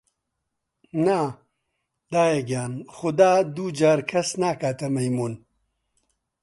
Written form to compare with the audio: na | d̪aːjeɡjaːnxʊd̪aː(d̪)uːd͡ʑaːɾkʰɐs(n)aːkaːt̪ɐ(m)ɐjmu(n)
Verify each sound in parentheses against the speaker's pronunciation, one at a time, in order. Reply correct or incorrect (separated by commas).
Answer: correct, correct, correct, correct